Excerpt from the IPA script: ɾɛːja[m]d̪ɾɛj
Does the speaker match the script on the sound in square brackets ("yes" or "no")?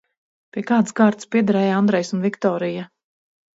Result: no